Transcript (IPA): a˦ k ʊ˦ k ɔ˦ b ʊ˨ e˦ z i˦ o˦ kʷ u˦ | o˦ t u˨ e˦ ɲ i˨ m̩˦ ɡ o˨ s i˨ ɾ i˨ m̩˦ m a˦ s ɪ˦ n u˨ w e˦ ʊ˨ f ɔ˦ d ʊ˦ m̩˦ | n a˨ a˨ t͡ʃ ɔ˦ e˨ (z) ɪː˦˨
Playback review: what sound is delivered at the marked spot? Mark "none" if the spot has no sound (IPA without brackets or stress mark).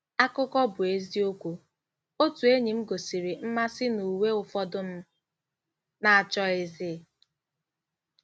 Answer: z